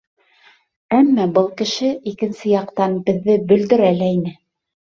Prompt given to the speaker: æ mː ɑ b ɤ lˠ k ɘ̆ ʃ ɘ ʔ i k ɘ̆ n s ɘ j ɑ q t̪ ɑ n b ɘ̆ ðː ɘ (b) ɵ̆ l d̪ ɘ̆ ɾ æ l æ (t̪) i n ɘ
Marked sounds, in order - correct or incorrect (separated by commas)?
correct, incorrect